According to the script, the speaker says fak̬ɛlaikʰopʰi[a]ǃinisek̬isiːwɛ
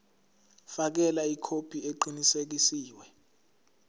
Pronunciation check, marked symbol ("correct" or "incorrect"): incorrect